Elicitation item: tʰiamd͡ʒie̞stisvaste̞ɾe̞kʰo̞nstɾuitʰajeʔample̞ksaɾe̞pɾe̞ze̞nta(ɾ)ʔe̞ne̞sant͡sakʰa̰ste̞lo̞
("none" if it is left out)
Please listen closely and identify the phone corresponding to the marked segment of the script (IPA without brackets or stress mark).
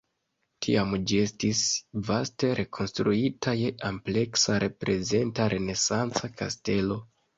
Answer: ɾ